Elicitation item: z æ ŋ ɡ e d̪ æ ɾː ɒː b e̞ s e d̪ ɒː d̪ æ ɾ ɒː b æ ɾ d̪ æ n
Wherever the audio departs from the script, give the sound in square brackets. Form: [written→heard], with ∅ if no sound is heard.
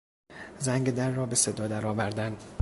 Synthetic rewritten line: z æ ŋ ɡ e d̪ æ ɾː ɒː b e̞ s e d̪ ɒː d̪ æ ɾ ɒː [b→v] æ ɾ d̪ æ n